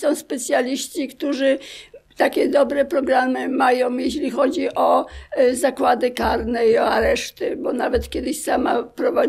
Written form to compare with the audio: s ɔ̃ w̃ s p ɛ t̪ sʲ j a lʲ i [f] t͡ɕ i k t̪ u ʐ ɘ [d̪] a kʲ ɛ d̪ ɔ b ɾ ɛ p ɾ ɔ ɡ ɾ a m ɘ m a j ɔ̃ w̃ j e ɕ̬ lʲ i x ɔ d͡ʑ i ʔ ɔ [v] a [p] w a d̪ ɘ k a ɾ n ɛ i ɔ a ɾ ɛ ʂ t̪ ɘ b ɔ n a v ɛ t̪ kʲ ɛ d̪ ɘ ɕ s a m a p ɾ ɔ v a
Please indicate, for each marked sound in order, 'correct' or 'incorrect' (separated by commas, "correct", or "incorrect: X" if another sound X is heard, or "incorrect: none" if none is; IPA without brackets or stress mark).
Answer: incorrect: ɕ, incorrect: t̪, incorrect: z, incorrect: k